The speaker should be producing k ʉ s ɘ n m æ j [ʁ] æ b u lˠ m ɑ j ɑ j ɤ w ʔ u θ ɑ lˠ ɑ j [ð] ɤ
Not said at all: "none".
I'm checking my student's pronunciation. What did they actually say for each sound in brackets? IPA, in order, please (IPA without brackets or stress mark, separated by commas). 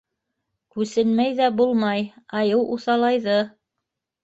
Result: ð, ð